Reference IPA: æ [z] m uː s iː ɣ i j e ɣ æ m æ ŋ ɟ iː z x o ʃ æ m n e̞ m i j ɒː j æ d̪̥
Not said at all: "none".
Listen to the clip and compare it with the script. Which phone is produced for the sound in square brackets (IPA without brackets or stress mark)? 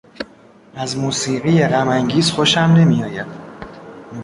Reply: z